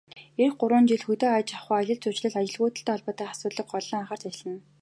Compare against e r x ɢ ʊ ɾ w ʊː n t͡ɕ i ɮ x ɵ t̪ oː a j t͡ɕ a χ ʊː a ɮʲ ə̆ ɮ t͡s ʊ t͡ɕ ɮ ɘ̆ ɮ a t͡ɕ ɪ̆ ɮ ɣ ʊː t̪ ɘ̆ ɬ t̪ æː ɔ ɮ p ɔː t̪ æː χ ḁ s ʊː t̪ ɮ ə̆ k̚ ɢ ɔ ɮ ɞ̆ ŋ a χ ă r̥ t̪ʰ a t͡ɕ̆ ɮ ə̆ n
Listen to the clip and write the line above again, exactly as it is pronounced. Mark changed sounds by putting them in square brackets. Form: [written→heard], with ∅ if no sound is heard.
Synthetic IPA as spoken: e r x ɢ ʊ ɾ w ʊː n t͡ɕ i ɮ x ɵ t̪ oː a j t͡ɕ a χ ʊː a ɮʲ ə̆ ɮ t͡s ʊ t͡ɕ ɮ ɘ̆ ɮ a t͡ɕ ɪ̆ ɮ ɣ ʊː t̪ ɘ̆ ɬ t̪ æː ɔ ɮ p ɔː t̪ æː χ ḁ s ʊː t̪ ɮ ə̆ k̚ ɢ ɔ ɮ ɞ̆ ŋ a χ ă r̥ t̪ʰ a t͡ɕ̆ ɮ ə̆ n